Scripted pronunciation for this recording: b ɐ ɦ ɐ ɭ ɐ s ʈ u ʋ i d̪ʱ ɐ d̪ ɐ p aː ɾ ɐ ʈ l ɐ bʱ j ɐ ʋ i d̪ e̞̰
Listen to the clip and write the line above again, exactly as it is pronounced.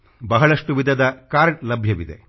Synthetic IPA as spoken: b ɐ ɦ ɐ ɭ ɐ ʂ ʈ u ʋ i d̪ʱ ɐ d̪ ɐ k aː ɾ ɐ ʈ l ɐ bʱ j ɐ ʋ i d̪ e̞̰